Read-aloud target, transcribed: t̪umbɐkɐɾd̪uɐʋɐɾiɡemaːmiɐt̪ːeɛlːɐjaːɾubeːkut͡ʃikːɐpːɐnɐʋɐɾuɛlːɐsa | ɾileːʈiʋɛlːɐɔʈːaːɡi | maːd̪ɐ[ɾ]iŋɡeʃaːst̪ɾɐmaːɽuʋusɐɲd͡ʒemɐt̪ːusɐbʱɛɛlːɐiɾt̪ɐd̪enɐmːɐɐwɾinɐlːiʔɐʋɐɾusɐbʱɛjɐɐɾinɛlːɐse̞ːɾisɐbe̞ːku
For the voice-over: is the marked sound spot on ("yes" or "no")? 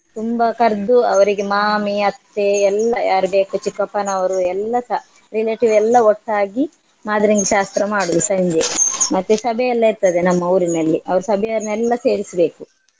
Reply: yes